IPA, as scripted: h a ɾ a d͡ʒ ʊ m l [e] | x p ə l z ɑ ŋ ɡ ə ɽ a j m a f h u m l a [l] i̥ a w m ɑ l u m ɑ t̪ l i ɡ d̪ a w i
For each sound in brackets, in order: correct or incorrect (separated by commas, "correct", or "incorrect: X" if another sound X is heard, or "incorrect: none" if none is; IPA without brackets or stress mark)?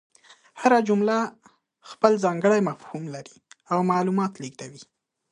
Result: incorrect: a, incorrect: ɾ